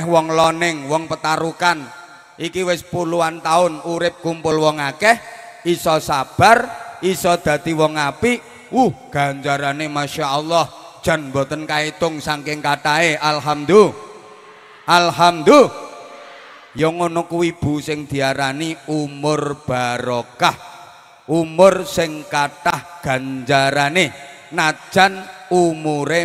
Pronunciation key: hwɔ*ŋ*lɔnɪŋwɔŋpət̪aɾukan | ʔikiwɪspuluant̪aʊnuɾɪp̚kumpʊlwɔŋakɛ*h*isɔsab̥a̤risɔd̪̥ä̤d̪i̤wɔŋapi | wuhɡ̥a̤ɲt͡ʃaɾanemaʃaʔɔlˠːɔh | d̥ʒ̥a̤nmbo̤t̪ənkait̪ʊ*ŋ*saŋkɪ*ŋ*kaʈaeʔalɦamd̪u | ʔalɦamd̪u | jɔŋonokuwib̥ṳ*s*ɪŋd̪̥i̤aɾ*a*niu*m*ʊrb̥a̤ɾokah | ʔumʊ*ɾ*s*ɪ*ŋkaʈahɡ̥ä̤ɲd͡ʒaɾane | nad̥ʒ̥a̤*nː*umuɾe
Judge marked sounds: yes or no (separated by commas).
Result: yes, yes, yes, yes, yes, yes, yes, no, yes, no